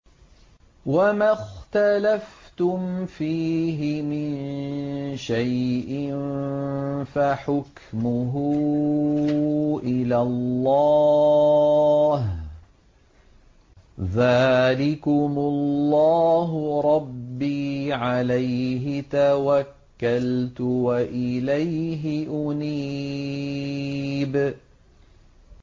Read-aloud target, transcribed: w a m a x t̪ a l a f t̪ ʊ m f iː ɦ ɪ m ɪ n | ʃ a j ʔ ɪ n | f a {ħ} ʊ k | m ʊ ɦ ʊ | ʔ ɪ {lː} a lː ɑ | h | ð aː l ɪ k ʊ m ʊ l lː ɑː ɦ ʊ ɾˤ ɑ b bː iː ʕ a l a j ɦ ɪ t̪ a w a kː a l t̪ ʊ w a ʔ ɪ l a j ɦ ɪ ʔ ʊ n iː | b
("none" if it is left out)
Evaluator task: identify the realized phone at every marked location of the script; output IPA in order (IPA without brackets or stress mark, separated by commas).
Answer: ħ, l